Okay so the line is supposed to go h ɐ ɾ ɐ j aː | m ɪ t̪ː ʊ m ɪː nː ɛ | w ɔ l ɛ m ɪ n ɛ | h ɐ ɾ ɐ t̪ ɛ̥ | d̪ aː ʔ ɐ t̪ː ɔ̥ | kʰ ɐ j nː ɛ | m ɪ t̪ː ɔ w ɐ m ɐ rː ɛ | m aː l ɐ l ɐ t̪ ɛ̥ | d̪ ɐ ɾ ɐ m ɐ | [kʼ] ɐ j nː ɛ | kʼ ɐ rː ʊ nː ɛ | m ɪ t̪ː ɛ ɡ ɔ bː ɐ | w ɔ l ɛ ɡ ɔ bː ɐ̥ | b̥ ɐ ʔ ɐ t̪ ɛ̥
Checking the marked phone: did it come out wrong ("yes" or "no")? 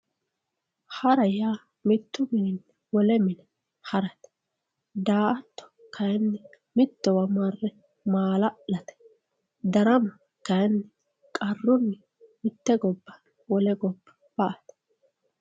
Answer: yes